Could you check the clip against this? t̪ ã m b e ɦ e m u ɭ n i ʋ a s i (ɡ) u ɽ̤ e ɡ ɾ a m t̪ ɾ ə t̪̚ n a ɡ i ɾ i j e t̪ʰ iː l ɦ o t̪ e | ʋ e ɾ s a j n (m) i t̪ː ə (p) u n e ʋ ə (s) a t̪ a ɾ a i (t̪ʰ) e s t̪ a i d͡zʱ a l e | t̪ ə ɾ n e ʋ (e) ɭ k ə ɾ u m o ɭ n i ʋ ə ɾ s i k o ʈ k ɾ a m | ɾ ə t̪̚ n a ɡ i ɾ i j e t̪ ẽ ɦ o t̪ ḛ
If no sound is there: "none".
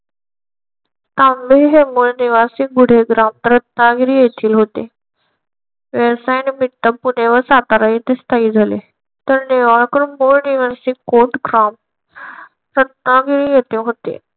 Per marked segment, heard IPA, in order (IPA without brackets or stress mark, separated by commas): ɡ, m, p, s, t̪, a